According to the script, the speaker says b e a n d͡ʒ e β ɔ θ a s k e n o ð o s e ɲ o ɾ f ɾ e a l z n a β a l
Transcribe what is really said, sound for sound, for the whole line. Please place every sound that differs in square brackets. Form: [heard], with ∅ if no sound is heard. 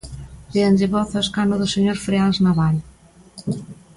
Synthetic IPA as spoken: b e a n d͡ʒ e β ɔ θ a s k [a] n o ð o s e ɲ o ɾ f ɾ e a l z n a β a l